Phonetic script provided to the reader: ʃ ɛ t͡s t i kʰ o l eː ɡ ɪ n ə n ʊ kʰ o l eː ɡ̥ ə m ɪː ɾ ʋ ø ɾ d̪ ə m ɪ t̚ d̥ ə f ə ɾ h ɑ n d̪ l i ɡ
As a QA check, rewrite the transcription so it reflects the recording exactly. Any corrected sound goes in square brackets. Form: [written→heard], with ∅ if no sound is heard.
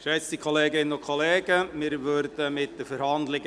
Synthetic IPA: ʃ ɛ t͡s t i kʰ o l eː ɡ ɪ n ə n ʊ kʰ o l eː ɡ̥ ə m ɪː ɾ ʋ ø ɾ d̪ ə m ɪ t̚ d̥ ə f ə ɾ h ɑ n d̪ l [i→ɪ] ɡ